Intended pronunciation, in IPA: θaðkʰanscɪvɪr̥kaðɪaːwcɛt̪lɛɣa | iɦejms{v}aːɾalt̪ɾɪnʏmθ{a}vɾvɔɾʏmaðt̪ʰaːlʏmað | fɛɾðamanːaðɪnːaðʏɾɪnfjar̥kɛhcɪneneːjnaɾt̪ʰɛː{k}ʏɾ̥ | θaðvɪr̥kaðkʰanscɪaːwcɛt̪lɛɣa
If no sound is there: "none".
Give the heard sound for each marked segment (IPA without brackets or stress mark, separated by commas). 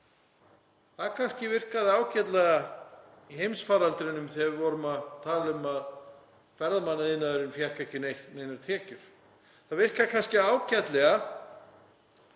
f, ɛ, c